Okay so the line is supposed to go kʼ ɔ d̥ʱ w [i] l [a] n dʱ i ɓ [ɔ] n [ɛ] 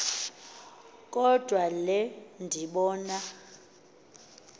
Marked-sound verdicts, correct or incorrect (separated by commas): incorrect, incorrect, incorrect, incorrect